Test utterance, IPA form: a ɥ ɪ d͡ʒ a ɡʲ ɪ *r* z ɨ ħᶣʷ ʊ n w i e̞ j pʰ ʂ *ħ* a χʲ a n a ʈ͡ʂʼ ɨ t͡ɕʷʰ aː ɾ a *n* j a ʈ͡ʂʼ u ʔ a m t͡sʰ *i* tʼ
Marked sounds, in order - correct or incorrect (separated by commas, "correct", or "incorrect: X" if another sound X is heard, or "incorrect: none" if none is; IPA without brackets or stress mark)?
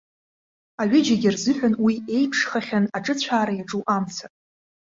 correct, incorrect: χ, incorrect: none, incorrect: a